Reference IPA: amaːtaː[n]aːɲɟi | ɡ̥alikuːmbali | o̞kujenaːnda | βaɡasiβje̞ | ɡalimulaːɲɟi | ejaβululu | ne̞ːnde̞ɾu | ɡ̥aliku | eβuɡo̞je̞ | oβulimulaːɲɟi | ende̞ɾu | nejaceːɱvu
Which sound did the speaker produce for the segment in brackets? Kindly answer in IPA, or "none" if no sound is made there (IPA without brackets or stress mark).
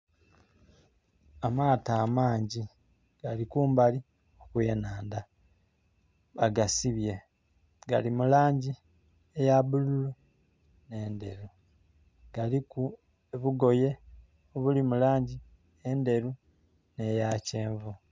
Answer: m